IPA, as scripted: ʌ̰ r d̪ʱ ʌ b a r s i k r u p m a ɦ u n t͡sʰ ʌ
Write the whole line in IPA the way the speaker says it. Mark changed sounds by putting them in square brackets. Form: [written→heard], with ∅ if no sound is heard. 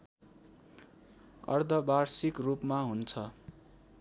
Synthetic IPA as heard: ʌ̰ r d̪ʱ ʌ b a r s i k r u p m a ɦ u n t͡sʰ ʌ